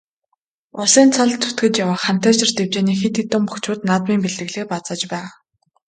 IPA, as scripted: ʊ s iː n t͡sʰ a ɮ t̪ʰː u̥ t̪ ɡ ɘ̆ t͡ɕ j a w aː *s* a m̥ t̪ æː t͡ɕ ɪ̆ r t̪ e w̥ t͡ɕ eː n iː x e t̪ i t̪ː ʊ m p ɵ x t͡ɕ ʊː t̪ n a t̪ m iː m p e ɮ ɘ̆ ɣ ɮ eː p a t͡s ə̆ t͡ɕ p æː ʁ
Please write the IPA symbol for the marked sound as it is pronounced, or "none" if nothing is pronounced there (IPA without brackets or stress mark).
χ